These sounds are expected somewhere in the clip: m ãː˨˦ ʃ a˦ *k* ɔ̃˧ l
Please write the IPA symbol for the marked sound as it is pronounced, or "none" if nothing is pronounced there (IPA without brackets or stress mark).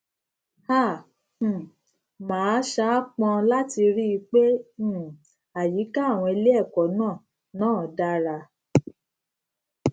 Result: k͡p